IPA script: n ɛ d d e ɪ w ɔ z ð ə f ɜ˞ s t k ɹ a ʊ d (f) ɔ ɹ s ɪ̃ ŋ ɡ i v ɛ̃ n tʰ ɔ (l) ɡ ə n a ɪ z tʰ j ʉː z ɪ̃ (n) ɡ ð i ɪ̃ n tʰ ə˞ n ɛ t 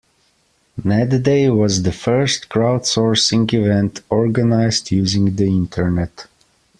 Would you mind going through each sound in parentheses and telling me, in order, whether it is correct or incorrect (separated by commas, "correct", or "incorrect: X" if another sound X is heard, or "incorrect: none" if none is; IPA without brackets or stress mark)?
incorrect: s, incorrect: ɹ, incorrect: ŋ